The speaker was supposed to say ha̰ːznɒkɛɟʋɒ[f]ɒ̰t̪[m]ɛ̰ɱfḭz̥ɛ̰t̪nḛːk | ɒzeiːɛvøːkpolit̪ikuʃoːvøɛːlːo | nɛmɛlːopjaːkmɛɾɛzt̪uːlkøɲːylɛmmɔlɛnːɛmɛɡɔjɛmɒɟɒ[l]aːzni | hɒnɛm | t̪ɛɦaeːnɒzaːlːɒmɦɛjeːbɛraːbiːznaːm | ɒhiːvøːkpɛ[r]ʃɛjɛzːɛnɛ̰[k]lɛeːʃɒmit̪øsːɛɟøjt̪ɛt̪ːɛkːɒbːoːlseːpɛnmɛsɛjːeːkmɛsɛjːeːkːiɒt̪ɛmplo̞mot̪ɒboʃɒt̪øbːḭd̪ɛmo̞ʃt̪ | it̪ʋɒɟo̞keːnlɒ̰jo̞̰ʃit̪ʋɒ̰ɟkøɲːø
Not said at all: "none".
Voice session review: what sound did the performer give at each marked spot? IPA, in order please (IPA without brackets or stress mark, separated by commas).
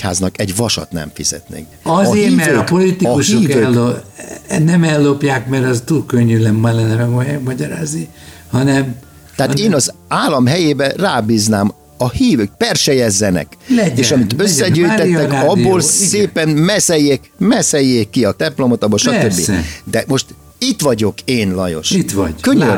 ʃ, n, ɾ, r, k